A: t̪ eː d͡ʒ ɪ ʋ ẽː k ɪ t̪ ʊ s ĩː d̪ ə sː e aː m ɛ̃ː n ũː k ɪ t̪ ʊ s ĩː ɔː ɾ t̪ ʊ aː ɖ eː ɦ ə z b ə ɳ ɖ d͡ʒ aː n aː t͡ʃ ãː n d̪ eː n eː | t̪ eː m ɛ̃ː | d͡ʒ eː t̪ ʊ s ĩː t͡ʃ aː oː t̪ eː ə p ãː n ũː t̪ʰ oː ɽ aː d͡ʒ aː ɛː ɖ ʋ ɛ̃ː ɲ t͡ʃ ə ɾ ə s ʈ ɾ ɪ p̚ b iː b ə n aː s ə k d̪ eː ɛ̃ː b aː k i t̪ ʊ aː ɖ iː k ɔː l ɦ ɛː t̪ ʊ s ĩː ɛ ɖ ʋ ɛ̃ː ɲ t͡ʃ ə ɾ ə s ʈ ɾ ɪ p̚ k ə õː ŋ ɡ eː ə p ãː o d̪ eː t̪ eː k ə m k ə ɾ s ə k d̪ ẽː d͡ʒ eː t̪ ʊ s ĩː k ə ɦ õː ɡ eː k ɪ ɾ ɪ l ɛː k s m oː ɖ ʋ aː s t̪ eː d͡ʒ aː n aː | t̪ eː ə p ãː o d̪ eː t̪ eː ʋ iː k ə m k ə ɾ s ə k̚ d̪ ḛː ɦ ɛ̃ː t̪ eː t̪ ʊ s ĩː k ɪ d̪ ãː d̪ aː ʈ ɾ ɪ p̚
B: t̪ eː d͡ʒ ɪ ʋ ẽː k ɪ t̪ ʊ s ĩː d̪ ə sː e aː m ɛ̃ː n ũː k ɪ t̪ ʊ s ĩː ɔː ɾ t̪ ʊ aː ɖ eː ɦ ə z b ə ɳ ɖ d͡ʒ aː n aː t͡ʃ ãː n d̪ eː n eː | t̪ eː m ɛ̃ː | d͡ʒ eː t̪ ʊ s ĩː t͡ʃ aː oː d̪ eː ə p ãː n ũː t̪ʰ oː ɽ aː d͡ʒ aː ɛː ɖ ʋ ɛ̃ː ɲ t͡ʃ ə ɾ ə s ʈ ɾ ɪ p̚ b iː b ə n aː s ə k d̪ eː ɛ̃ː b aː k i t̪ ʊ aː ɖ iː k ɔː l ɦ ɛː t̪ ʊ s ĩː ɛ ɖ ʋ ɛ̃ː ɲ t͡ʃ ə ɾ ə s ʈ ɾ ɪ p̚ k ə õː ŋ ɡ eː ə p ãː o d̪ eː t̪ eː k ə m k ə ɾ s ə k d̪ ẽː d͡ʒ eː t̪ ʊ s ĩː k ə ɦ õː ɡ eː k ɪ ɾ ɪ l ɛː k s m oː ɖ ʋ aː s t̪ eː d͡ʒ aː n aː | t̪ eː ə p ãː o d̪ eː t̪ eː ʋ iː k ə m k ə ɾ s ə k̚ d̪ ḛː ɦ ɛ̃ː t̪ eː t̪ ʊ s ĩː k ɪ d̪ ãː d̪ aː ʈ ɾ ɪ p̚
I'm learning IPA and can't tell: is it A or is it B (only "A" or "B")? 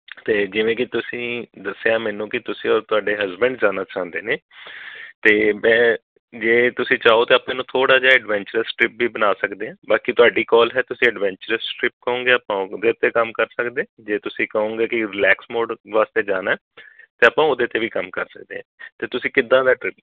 A